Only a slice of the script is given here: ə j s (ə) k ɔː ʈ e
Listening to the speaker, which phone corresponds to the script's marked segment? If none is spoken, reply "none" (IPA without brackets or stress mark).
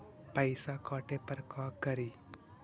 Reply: a